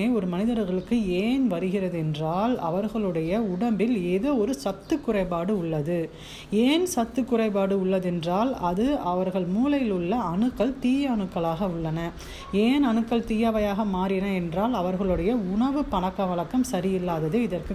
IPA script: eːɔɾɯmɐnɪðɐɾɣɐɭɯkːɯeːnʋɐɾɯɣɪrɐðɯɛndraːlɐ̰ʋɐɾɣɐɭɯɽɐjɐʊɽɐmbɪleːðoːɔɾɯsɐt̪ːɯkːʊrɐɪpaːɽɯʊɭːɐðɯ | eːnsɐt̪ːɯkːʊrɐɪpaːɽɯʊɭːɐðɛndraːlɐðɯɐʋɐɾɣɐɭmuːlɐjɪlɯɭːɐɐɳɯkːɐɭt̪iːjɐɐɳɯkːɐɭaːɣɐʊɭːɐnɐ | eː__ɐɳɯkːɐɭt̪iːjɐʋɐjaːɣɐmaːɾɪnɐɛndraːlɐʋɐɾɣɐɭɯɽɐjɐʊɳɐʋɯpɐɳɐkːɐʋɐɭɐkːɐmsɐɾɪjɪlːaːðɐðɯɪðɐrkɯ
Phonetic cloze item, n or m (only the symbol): n